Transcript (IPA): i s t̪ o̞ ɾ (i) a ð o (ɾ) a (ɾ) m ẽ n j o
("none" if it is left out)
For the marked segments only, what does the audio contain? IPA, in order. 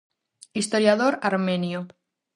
j, ɾ, ɾ

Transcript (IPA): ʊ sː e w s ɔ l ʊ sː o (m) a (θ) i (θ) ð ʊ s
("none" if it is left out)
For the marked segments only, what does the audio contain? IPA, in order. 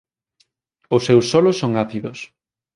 ŋ, θ, none

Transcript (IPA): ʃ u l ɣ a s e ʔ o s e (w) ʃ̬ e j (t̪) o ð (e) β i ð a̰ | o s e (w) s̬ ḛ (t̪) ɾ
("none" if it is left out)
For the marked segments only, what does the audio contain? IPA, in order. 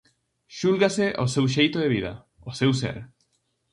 w, t̪, e, w, none

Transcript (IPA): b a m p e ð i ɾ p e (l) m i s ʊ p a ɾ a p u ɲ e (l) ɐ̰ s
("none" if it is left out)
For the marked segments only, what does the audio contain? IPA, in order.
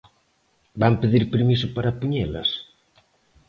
ɾ, l

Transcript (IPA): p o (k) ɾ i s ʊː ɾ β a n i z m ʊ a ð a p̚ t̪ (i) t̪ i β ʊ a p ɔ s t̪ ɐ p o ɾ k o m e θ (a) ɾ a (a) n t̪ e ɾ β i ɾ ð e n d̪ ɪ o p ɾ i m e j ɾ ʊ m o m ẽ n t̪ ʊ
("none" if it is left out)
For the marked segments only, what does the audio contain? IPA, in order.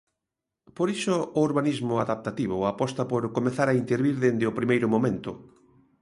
none, a, a, i

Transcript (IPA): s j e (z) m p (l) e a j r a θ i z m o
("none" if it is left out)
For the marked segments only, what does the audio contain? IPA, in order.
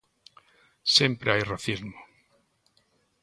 none, ɾ

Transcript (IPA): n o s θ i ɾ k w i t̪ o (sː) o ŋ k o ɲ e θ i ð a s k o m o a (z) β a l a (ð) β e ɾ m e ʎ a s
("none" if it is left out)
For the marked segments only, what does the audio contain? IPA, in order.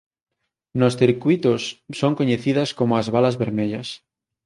sː, z, z

